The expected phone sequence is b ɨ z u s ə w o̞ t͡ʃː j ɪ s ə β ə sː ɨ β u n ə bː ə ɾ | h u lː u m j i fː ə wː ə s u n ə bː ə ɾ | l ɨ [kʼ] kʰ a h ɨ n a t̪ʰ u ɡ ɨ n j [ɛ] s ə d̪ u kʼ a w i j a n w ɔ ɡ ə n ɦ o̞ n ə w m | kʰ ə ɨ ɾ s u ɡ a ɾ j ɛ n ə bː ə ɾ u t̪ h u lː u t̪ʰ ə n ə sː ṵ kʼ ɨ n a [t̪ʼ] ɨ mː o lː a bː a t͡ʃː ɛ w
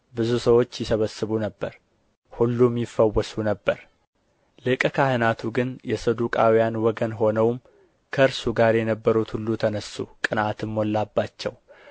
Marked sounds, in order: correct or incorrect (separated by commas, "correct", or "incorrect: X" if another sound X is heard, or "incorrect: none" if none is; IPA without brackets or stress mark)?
correct, correct, incorrect: t̪